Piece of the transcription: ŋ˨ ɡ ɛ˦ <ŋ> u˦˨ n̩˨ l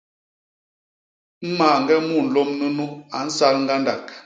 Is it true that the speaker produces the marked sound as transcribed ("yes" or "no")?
no